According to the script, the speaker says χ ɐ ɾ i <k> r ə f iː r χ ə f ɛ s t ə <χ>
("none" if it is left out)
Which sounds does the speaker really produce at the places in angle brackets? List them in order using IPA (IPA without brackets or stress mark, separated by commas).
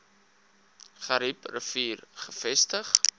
p, χ